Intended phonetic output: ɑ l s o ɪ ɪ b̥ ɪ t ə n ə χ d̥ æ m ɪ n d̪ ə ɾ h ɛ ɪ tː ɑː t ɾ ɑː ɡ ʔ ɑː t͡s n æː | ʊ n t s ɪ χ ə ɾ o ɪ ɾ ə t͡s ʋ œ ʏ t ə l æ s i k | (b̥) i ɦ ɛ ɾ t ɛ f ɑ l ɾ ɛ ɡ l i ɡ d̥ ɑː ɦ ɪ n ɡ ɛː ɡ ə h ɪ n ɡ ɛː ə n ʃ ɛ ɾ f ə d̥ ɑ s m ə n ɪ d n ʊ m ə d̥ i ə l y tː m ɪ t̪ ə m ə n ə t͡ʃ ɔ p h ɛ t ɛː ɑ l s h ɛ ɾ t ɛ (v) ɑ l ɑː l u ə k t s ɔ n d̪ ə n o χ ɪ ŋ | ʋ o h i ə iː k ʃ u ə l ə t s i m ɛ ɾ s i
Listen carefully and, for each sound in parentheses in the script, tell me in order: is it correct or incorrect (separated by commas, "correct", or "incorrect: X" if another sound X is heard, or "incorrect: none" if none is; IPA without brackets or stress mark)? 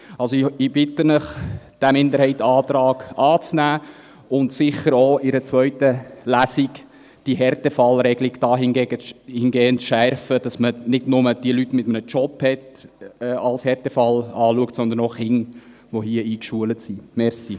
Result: incorrect: d̥, incorrect: f